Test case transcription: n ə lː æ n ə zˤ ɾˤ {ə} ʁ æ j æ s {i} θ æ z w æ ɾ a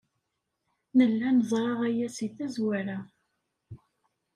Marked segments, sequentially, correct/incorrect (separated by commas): incorrect, correct